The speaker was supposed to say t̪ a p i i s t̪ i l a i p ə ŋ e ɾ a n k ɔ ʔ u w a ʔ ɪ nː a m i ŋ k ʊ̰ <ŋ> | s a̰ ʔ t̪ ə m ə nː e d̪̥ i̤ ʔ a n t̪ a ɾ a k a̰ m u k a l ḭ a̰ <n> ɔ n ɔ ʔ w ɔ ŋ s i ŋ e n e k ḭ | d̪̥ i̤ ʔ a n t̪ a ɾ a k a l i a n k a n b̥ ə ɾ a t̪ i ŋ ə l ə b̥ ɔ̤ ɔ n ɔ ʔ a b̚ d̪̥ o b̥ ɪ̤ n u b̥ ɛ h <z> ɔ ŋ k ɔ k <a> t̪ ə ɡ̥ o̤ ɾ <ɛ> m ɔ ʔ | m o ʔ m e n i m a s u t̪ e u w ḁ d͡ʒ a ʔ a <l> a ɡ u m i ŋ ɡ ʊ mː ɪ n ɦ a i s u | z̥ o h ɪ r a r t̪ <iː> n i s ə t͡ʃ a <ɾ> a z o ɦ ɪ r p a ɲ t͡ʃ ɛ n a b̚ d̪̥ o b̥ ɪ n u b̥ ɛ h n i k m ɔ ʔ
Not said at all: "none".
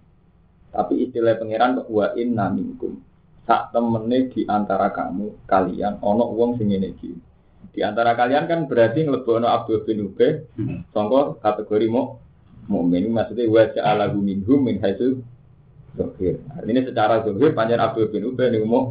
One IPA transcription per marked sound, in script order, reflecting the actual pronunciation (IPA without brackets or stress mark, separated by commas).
m, n, s, a, i, l, i, ɾ